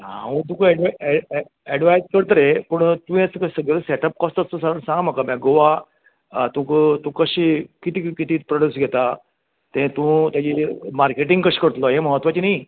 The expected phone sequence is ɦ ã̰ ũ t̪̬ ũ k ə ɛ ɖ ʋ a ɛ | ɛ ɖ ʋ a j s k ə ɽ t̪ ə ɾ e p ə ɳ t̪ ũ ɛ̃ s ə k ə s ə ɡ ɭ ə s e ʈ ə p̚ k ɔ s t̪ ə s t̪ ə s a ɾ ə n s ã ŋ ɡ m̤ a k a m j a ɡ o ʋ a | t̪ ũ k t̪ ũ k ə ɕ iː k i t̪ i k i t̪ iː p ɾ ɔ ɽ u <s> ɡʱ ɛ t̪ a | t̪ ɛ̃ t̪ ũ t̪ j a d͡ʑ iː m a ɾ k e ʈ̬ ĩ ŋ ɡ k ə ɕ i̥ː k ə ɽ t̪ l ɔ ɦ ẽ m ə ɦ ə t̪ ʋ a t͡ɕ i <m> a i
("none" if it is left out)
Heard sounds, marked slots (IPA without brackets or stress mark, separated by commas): s, n